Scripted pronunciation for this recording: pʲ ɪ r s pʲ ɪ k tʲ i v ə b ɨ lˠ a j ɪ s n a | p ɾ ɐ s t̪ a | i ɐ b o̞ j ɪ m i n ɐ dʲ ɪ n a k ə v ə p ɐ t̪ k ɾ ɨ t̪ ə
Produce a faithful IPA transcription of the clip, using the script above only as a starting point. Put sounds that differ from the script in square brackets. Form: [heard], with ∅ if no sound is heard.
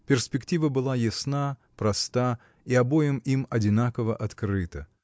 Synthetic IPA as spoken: pʲ ɪ r s pʲ ɪ k tʲ i v ə b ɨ lˠ a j ɪ s n a | p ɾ ɐ s t̪ a | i ɐ b o̞ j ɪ m i [m] ɐ dʲ ɪ n a k ə v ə [ʔ] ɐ t̪ k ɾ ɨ t̪ ə